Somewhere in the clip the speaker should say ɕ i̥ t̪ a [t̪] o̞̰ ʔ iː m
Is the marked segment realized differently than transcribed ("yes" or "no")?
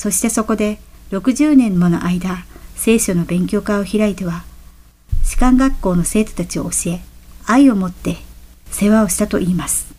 no